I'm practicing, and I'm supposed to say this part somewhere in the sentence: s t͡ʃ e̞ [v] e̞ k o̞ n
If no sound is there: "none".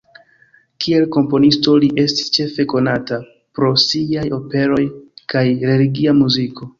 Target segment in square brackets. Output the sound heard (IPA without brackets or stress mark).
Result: f